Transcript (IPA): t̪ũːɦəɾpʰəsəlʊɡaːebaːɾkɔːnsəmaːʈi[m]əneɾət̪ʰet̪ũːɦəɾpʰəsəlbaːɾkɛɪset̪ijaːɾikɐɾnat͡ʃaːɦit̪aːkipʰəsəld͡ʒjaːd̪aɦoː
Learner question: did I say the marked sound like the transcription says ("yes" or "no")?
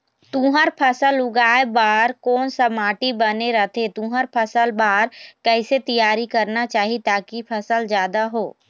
no